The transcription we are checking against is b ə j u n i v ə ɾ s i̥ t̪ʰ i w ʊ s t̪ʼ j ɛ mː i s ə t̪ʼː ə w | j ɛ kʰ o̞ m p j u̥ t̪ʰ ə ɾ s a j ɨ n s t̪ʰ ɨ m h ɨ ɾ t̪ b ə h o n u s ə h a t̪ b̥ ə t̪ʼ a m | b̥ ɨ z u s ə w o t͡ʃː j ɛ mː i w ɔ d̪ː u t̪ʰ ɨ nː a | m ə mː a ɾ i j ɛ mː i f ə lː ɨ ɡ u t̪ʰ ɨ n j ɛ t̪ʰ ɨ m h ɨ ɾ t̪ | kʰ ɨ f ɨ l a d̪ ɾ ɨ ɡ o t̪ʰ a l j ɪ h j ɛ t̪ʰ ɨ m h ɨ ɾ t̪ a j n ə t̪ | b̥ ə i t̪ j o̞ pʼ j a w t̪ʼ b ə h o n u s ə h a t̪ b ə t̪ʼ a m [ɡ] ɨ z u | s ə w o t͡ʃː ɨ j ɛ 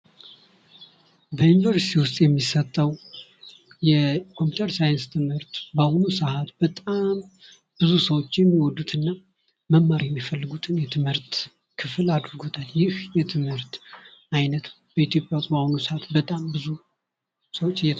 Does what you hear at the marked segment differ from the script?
yes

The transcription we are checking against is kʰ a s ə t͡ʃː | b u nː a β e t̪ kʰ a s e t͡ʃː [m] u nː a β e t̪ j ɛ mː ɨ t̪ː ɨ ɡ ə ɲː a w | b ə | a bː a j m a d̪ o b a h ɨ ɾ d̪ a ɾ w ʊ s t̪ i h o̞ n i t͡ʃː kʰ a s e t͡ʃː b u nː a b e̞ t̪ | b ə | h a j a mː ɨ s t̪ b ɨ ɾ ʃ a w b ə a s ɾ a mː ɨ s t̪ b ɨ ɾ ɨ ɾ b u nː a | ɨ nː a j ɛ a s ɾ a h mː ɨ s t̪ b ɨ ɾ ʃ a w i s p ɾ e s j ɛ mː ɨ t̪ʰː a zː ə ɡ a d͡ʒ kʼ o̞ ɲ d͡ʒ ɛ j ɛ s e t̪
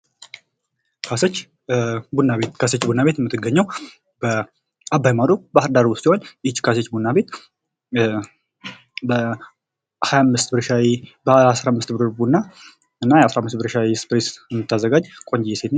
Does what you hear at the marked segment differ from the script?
yes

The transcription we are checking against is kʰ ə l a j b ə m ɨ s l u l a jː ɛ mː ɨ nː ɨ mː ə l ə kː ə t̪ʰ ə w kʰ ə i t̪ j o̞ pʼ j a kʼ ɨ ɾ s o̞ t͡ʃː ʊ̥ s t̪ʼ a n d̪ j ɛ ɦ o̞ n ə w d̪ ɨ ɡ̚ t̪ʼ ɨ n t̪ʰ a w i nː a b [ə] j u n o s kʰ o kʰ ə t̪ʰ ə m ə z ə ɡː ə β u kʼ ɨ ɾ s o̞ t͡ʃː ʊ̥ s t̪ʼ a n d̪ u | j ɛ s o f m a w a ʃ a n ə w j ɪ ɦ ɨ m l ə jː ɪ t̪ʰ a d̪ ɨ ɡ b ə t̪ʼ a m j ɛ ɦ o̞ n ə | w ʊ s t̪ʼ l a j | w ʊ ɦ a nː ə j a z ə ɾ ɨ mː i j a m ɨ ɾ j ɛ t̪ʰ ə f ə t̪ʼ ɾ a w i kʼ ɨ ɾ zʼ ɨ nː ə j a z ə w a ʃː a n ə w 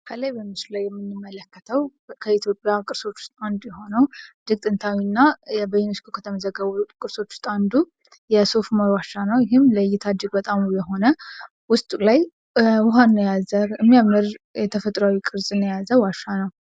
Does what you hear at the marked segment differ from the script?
no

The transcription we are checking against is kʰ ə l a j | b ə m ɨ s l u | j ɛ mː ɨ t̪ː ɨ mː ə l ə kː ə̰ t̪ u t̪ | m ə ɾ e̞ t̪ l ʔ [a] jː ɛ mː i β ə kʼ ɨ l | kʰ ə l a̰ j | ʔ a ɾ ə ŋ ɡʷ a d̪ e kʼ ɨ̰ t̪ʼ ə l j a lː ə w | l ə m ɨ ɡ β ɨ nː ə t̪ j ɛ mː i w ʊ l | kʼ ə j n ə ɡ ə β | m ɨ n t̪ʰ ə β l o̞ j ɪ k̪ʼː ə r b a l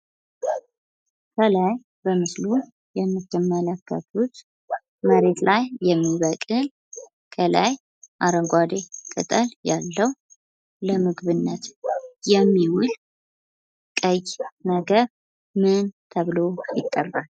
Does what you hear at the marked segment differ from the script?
no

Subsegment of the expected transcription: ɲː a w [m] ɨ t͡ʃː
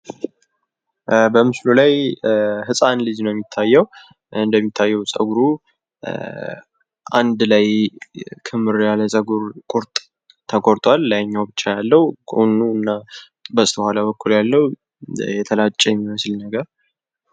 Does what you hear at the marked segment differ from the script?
yes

